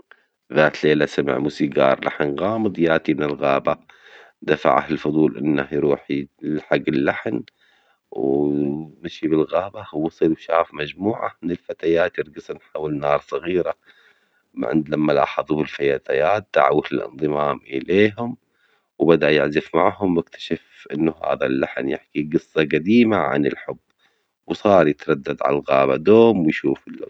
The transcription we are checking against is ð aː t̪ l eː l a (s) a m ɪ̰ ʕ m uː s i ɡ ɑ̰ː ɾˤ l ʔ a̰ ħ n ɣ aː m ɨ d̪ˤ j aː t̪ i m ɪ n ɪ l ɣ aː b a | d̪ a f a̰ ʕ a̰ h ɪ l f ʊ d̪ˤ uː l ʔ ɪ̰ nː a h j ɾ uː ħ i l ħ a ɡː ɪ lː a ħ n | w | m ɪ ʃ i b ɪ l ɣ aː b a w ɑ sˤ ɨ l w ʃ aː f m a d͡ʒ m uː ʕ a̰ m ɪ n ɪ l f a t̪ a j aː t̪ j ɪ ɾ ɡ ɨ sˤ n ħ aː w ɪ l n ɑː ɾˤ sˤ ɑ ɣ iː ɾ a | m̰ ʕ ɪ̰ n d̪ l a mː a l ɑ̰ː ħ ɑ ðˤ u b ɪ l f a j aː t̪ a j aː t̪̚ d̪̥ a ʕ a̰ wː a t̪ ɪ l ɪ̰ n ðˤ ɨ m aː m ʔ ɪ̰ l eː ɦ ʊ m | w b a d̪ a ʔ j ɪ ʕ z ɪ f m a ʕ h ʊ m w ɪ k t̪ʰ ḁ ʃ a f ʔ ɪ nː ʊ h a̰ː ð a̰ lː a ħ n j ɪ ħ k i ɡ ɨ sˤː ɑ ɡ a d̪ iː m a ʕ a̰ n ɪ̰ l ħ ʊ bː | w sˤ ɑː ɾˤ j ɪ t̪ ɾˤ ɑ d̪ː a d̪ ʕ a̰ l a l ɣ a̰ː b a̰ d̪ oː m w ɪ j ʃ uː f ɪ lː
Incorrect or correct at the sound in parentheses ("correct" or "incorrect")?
correct